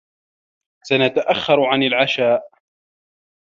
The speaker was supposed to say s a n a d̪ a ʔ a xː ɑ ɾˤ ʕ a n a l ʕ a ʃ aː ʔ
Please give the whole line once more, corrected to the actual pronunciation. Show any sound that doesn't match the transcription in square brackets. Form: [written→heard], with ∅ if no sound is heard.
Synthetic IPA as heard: s a n a [d̪→t̪] a ʔ a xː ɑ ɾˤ ʕ a n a l ʕ a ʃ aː ʔ